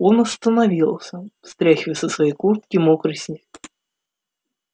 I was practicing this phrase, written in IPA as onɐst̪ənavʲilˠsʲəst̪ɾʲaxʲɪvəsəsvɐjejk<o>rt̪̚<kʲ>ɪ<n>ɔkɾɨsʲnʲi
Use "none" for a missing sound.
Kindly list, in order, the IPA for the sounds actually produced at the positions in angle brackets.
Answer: u, kʲ, m

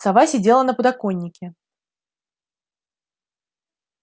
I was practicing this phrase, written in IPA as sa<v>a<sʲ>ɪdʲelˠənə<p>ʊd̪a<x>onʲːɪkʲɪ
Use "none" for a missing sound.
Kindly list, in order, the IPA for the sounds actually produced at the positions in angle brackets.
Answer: v, sʲ, p, k

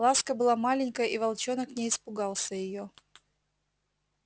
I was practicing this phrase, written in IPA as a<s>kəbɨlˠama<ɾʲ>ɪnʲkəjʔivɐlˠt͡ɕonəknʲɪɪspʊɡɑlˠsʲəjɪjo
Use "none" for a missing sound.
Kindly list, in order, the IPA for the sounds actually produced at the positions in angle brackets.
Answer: s, lʲ

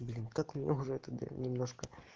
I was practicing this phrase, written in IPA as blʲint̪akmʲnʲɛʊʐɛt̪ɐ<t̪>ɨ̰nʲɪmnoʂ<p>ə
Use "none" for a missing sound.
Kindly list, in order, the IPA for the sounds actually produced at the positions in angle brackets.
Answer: d̪, k

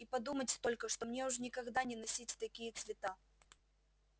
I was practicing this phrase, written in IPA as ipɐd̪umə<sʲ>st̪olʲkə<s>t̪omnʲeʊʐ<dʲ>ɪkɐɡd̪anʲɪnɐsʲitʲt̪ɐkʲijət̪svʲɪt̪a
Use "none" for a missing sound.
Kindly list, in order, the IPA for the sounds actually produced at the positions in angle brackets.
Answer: tʲ, ʂ, nʲ

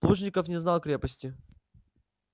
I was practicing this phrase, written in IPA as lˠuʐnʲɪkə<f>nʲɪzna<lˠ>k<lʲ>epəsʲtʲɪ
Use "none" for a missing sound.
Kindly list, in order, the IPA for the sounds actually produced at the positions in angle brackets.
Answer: f, lˠ, ɾʲ

